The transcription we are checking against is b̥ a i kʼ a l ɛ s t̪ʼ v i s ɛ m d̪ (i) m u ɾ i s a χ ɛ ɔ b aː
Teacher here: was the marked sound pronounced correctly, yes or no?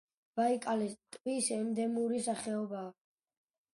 no